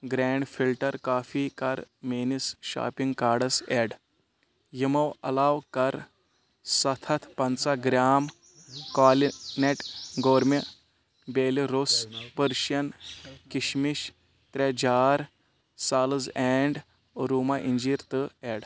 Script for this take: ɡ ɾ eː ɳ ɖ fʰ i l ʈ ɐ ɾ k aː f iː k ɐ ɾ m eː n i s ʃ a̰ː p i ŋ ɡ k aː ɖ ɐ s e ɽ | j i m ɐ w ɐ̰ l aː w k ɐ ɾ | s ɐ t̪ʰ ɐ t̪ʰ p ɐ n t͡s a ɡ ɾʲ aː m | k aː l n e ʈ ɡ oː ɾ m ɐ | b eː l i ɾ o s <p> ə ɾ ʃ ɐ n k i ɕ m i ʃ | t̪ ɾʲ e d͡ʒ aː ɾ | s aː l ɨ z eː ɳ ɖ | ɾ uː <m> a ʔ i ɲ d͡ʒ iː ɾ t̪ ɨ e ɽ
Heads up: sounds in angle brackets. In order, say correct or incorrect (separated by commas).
correct, correct